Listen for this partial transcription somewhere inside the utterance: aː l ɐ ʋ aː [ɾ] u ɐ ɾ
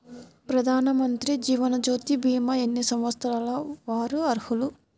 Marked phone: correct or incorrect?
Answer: correct